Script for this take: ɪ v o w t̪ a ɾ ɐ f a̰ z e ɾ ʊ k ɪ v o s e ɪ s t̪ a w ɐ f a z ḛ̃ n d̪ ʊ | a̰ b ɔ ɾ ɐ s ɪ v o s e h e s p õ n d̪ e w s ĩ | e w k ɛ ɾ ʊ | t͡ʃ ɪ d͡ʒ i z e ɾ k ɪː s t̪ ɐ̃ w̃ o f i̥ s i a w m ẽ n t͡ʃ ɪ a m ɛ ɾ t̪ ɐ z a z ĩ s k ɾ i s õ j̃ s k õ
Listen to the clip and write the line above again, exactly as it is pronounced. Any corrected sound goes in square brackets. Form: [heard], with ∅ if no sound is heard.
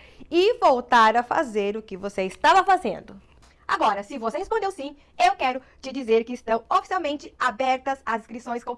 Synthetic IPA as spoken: ɪ v o w t̪ a ɾ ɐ f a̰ z e ɾ ʊ k ɪ v o s e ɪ s t̪ a [v] ɐ f a z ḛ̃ n d̪ ʊ | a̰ [ɡ] ɔ ɾ ɐ s ɪ v o s e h e s p õ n d̪ e w s ĩ | e w k ɛ ɾ ʊ | t͡ʃ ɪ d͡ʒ i z e ɾ k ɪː s t̪ ɐ̃ w̃ o f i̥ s i a w m ẽ n t͡ʃ ɪ a [b] ɛ ɾ t̪ ɐ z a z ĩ s k ɾ i s õ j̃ s k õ